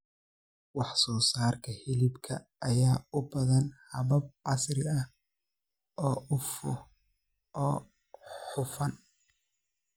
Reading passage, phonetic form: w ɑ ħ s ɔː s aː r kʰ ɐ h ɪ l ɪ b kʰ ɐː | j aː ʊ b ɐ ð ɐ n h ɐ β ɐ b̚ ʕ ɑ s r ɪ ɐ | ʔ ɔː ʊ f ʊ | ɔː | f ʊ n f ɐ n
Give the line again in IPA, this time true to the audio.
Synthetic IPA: w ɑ ħ s ɔː s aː r kʰ ɐ h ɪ l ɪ b kʰ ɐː | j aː ʊ b ɐ ð ɐ n h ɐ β ɐ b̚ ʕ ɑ s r ɪ ɐ | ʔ ɔː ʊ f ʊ | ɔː | ħ ʊ f ɐ n